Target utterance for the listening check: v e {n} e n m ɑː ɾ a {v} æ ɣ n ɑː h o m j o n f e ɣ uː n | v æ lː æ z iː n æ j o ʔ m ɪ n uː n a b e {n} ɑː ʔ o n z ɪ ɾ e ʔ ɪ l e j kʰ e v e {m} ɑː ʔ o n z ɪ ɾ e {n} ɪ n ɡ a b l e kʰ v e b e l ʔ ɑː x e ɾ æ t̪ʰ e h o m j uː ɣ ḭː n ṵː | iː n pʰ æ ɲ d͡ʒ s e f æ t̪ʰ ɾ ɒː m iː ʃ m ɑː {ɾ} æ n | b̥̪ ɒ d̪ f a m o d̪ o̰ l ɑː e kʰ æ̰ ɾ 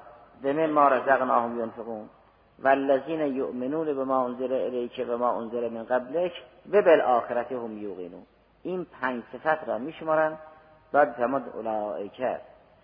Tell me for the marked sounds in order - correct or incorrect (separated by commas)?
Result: incorrect, incorrect, incorrect, correct, incorrect, correct